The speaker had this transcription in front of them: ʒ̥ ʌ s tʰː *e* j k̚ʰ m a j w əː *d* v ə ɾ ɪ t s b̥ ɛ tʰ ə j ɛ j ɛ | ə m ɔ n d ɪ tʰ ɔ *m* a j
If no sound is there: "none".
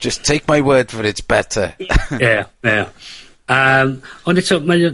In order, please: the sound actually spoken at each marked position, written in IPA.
e, d, m

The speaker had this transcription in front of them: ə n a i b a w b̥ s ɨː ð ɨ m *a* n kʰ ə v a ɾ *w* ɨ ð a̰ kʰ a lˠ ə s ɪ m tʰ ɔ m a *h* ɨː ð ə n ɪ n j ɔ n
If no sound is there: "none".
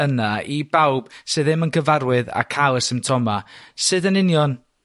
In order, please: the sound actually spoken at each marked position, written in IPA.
ə, w, s

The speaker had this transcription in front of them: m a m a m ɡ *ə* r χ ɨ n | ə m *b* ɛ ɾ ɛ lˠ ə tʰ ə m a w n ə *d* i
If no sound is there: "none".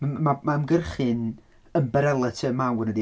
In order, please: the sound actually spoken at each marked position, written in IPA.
ə, b, d

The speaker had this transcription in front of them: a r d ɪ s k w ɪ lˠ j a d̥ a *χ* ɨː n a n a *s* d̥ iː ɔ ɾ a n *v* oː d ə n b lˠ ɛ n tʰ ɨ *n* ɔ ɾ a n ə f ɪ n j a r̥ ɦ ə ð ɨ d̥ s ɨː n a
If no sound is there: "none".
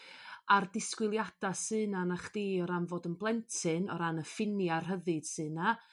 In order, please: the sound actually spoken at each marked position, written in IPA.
s, χ, v, n

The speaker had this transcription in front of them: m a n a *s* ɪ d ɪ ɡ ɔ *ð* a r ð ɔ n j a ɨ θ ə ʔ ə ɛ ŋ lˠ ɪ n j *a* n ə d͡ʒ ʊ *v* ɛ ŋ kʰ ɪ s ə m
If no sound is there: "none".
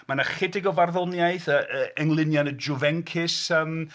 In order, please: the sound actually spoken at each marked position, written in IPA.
χ, v, a, v

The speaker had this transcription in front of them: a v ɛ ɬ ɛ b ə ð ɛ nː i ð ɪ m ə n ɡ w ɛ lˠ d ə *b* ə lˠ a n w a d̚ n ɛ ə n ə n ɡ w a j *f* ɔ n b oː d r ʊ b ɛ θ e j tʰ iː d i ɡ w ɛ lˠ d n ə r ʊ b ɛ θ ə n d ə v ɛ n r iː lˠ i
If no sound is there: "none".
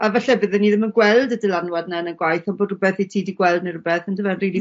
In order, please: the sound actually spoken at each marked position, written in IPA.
d, θ

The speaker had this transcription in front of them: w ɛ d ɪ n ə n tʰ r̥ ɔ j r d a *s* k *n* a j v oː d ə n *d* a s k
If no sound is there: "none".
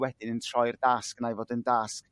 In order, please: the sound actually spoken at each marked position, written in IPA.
s, n, d

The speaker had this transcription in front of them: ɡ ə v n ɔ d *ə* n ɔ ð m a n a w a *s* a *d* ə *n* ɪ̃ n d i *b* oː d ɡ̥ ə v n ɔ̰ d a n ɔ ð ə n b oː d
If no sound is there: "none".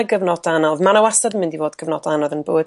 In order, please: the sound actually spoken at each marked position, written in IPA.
a, s, d, m, v

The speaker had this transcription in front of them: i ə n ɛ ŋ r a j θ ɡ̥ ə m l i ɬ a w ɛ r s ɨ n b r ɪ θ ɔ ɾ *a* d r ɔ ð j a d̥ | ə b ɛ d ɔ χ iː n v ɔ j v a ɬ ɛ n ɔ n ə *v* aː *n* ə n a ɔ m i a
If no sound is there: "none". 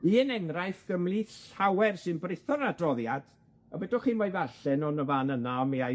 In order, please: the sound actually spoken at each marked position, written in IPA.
a, v, n

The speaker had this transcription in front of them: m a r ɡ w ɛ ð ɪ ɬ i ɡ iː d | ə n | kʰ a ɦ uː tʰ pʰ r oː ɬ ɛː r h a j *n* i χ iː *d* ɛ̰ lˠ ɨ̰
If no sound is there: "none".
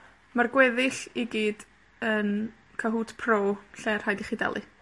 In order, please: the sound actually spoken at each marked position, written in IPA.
d, d

